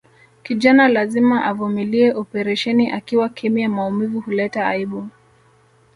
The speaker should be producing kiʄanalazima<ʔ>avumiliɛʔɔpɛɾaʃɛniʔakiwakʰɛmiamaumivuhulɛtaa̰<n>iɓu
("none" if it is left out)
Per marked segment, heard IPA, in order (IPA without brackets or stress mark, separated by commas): ʔ, none